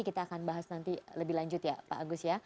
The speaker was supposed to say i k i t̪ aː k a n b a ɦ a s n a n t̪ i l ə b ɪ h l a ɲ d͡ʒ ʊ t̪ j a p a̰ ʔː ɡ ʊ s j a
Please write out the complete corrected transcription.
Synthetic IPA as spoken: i k i t̪ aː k a n b a ɦ a s n a n t̪ i l ə b ɪ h l a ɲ d͡ʒ ʊ t̪ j a p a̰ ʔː ɡ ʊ s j a

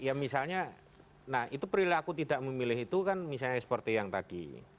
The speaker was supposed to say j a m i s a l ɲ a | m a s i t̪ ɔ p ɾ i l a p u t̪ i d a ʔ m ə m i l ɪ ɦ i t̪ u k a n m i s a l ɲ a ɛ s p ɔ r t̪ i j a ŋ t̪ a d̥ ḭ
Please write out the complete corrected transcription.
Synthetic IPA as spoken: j a m i s a l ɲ a | n a h i t̪ u p ɾ i l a k u t̪ i d a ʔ m ə m i l ɪ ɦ i t̪ u k a n m i s a l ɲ a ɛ s p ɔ r t̪ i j a ŋ t̪ a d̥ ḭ

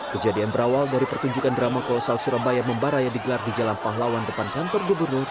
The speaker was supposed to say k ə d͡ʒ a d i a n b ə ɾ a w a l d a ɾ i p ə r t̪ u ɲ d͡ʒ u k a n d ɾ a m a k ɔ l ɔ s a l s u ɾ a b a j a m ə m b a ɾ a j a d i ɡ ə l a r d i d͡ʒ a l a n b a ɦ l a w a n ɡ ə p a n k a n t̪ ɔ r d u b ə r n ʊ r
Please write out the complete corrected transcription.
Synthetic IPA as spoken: k ə d͡ʒ a d i a n b ə ɾ a w a l d a ɾ i p ə r t̪ u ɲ d͡ʒ u k a n d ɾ a m a k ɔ l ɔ s a l s u ɾ a b a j a m ə m b a ɾ a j a d i ɡ ə l a r d i d͡ʒ a l a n p a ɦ l a w a n d ə p a n k a n t̪ ɔ r ɡ u b ə r n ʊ r

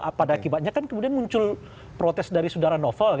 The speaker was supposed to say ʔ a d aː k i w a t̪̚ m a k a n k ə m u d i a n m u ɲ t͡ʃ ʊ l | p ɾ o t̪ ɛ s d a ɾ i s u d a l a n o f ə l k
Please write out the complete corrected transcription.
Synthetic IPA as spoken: p a d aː k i b a t̪̚ ɲ a k a n k ə m u d i a n m u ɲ t͡ʃ ʊ l | p ɾ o t̪ ɛ s d a ɾ i s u d a ɾ a n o f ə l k

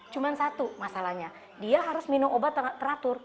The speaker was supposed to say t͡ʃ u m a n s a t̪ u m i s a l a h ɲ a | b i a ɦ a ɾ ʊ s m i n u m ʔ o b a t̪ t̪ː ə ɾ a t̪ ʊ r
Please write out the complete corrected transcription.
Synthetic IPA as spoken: t͡ʃ u m a n s a t̪ u m a s a l a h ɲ a | d i a ɦ a ɾ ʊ s m i n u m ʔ o b a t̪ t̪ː ə ɾ a t̪ ʊ r

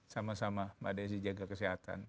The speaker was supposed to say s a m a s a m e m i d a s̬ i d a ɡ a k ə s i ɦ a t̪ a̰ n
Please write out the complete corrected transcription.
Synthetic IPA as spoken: s a m a s a m a m a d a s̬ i d͡ʒ a ɡ a k ə s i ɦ a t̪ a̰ n

